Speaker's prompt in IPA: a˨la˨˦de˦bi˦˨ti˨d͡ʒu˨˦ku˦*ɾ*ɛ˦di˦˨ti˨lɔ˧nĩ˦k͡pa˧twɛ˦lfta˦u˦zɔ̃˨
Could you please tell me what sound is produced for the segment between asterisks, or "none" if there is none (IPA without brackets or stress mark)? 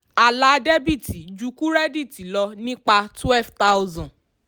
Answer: ɾ